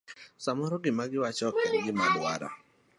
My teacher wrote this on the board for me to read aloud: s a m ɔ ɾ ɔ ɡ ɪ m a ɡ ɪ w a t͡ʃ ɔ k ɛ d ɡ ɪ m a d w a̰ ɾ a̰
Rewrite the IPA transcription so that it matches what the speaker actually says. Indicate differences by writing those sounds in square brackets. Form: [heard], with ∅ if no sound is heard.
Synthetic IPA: s a m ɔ ɾ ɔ ɡ ɪ m a ɡ ɪ w a t͡ʃ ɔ k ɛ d ɡ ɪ m a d w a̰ ɾ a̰